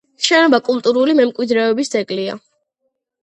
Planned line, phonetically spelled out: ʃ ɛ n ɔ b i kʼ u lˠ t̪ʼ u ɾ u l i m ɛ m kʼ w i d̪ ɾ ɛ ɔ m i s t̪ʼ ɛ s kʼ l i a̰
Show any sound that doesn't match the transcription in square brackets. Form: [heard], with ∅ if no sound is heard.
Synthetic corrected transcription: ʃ ɛ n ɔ b [a] kʼ u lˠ t̪ʼ u ɾ u l i m ɛ m kʼ w i d̪ ɾ ɛ ɔ [b] i s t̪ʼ ɛ [∅] kʼ l i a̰

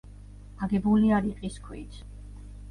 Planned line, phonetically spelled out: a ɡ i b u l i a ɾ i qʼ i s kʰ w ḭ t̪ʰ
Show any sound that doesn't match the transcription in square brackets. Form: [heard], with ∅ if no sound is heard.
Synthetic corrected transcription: a ɡ [ɛ] b u l i a ɾ i qʼ i s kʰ w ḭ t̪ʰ

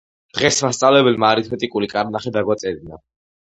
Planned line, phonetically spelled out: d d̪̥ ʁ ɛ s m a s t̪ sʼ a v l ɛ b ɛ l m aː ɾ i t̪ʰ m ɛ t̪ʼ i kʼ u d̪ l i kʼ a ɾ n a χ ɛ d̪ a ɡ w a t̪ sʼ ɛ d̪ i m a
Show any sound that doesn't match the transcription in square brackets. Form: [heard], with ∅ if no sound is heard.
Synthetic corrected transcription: d d̪̥ ʁ ɛ s m a s t̪ sʼ a v l ɛ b ɛ l m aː ɾ i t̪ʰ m ɛ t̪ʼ i kʼ u [∅] l i kʼ a ɾ n a χ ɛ d̪ a ɡ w a t̪ sʼ ɛ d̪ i [n] a

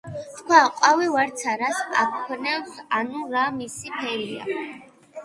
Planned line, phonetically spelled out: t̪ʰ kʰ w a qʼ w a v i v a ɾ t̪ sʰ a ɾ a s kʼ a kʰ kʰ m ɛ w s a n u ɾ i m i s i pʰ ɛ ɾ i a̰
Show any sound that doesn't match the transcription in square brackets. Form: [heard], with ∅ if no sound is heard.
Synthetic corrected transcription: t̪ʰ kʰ w a qʼ w a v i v a ɾ t̪ sʰ a ɾ a s [pʼ] a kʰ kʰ [n] ɛ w s a n u ɾ [a] m i s i pʰ ɛ ɾ i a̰

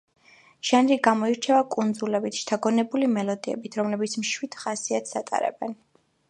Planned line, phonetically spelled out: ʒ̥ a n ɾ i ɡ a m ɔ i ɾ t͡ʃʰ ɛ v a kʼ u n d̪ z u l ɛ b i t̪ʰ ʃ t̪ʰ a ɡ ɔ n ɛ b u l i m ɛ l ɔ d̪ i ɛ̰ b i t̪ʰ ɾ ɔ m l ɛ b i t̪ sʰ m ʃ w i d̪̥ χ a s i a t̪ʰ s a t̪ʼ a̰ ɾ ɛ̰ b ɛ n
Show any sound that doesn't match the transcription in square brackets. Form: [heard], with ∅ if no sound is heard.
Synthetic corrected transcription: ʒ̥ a n ɾ i ɡ a m ɔ i ɾ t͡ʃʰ ɛ v a kʼ u n d̪ z u l ɛ b i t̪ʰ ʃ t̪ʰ a ɡ ɔ n ɛ b u l i m ɛ l ɔ d̪ i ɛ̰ b i t̪ʰ ɾ ɔ m l ɛ b i t̪ sʰ m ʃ w i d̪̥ χ a s i a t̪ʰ s a t̪ʼ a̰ ɾ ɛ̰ b ɛ n

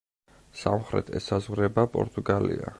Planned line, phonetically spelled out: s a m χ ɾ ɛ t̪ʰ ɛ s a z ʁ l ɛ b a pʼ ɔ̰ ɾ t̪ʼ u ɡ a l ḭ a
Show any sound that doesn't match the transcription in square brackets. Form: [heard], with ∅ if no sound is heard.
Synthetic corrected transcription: s a m χ ɾ ɛ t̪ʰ ɛ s a z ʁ [ɾ] ɛ b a pʼ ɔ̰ ɾ t̪ʼ u ɡ a l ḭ a

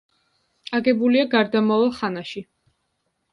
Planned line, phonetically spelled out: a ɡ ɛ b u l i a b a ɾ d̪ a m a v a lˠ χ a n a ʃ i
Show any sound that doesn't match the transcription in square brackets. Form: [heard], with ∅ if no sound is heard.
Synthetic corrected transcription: a ɡ ɛ b u l i a [ɡ] a ɾ d̪ a m a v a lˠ χ a n a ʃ i

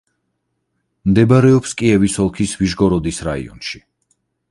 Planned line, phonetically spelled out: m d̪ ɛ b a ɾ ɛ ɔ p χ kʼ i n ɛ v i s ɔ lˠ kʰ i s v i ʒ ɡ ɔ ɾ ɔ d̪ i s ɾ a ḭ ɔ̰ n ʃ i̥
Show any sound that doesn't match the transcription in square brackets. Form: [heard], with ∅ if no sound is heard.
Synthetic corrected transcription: m d̪ ɛ b a ɾ ɛ ɔ p [s] kʼ i [∅] ɛ v i s ɔ lˠ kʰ i s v i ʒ ɡ ɔ ɾ ɔ d̪ i s ɾ a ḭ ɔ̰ n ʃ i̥

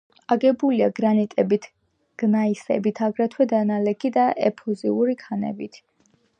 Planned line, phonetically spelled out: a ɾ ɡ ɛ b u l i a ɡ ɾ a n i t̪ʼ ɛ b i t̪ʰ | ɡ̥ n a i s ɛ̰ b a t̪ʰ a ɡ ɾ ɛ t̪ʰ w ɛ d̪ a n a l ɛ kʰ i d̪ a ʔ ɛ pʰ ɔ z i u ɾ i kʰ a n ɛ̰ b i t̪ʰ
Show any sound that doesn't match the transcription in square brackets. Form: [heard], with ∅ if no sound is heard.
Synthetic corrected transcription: a [∅] ɡ ɛ b u l i a ɡ ɾ a n i t̪ʼ ɛ b i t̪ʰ | ɡ̥ n a i s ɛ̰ b [i] t̪ʰ a ɡ ɾ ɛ t̪ʰ w ɛ d̪ a n a l ɛ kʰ i d̪ a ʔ ɛ pʰ ɔ z i u ɾ i kʰ a n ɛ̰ b i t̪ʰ

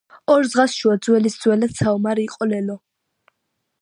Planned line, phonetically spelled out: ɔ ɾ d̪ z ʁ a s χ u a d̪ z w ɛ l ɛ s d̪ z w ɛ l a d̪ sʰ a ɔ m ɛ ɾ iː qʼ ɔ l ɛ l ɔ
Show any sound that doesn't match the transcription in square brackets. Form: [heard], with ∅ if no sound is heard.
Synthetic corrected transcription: ɔ ɾ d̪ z ʁ a s [ʃ] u a d̪ z w ɛ l [i] s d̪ z w ɛ l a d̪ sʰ a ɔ m [a] ɾ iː qʼ ɔ l ɛ l ɔ

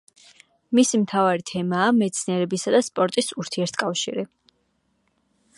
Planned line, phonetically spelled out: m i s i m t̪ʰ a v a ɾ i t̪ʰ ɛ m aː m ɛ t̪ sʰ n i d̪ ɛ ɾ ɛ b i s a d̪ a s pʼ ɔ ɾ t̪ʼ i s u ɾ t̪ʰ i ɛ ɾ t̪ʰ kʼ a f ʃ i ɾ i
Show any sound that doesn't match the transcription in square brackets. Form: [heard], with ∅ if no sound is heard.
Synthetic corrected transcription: m i s i m t̪ʰ a v a ɾ i t̪ʰ ɛ m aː m ɛ t̪ sʰ n i [∅] ɛ ɾ ɛ b i s a d̪ a s pʼ ɔ ɾ t̪ʼ i s u ɾ t̪ʰ i ɛ ɾ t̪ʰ kʼ a f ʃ i ɾ i

